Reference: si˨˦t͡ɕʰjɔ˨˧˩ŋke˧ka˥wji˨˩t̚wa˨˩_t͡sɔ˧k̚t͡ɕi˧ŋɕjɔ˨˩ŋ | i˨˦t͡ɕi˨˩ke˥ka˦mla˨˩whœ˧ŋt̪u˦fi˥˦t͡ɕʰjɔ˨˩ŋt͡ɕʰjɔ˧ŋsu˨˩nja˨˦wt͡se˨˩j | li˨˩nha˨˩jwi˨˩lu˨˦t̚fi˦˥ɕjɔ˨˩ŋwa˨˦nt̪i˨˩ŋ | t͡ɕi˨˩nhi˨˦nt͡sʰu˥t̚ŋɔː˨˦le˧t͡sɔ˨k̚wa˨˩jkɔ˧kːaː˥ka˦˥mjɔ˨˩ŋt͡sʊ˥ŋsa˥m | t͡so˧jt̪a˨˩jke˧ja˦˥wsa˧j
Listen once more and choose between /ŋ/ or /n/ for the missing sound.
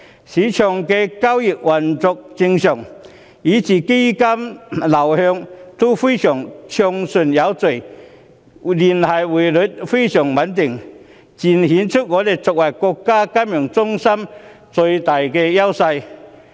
n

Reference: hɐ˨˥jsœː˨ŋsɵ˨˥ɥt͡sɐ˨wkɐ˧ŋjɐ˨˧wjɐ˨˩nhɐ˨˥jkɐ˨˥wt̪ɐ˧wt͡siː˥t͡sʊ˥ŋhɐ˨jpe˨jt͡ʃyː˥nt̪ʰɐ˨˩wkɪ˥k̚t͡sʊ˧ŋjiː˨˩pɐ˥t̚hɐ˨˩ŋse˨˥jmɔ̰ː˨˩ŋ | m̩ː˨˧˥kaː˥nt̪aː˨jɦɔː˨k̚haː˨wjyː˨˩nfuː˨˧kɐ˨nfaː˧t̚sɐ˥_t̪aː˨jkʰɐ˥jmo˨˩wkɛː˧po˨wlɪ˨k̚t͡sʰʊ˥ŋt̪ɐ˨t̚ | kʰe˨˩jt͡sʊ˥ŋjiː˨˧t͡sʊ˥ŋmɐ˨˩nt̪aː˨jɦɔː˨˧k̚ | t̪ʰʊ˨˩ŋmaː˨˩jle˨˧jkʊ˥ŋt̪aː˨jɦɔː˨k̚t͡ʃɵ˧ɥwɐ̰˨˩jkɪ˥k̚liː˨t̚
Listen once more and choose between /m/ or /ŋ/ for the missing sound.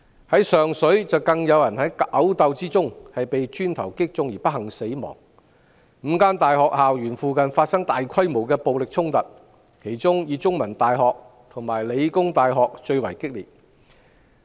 ŋ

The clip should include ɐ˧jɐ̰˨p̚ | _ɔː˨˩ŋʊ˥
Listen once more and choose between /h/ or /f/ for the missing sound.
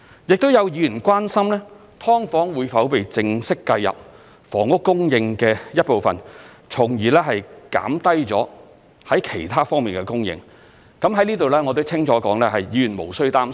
f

